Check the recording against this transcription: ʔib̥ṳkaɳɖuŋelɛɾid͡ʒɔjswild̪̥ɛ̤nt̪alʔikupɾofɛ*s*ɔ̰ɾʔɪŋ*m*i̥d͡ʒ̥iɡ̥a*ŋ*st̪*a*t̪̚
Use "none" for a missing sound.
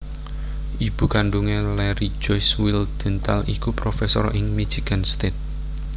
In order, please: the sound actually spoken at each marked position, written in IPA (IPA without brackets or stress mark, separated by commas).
s, m, n, e